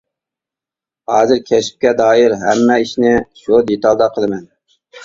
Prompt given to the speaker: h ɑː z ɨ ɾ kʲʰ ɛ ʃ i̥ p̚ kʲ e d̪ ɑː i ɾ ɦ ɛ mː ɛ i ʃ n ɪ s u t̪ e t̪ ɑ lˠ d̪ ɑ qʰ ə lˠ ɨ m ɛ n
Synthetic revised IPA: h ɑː z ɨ ɾ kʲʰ ɛ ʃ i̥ p̚ kʲ ɛ d̪ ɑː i ɾ ɦ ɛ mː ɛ i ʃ n ɪ ʃ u d̪ e t̪ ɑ lˠ d̪ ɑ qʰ ə lˠ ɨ m ɛ n

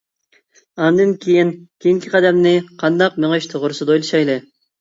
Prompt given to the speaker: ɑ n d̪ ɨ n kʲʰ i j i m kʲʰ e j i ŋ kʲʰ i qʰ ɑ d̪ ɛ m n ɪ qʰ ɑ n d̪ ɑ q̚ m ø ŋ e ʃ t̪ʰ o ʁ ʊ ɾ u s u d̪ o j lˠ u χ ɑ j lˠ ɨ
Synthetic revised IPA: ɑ n d̪ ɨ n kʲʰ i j i n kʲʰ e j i ŋ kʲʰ i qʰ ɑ d̪ ɛ m n ɪ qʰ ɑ n d̪ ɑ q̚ m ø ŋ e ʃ t̪ʰ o ʁ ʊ ɾ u s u d̪ o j lˠ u ʃ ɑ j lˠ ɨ

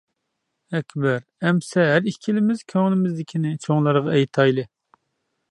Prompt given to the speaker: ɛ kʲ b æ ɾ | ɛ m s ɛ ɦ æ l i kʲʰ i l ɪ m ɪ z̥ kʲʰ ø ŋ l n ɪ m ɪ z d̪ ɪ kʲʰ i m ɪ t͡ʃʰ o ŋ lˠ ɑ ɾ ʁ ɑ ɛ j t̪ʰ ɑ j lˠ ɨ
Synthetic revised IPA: ɛ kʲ b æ ɾ | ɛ m s ɛ ɦ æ ɾ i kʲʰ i l ɪ m ɪ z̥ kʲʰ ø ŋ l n ɪ m ɪ z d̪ ɪ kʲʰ i n ɪ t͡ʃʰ o ŋ lˠ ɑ ɾ ʁ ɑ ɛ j t̪ʰ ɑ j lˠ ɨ

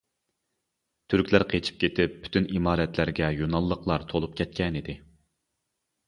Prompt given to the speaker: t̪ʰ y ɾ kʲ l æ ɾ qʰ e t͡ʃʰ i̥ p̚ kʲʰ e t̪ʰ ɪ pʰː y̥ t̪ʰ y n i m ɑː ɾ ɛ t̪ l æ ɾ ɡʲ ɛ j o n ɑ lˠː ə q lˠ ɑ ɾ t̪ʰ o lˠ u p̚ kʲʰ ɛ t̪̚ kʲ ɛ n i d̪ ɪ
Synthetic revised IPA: t̪ʰ y ɾ kʲ l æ ɾ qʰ e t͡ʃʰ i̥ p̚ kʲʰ e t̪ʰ ɪ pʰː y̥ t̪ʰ y n i m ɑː ɾ ɛ t̪ l æ ɾ ɡʲ ɛ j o n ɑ lˠː ə q lˠ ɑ ɾ t̪ʰ o lˠ u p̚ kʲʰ ɛ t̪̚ kʲ ɛ n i d̪ ɪ

